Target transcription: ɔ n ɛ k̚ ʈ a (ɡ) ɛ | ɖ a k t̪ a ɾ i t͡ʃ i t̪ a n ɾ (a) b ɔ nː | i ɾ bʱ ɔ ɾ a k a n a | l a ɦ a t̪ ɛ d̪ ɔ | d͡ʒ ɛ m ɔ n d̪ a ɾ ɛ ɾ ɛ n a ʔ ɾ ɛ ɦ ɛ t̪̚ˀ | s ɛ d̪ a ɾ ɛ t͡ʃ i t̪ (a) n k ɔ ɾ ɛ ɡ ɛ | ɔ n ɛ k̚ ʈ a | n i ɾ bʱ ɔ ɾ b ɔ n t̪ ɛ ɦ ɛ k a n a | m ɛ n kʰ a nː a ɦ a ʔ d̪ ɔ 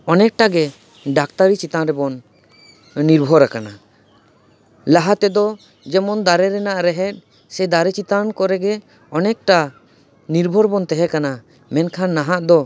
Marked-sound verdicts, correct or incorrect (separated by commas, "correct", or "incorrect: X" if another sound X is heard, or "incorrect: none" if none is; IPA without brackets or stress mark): correct, incorrect: ɛ, correct